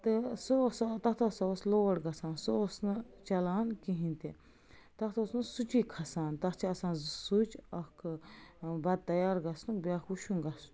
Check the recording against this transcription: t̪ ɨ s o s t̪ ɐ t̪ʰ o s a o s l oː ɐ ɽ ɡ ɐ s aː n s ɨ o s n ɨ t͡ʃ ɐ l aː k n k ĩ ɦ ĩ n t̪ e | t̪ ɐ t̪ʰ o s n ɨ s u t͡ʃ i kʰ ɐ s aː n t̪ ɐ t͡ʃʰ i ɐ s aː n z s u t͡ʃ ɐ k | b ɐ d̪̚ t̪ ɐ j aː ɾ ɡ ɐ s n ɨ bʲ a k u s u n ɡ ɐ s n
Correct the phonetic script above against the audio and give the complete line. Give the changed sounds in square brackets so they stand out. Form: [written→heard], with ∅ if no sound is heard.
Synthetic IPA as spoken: t̪ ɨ s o s t̪ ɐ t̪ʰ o s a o s l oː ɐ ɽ ɡ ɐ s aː n s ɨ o s n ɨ t͡ʃ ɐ l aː [k→∅] n k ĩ ɦ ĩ n t̪ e | t̪ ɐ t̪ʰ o s n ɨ s u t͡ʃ i kʰ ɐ s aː n t̪ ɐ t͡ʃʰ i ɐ s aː n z s u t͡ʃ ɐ k | b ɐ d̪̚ t̪ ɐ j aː ɾ ɡ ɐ s n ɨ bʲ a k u [s→ʃ] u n ɡ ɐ s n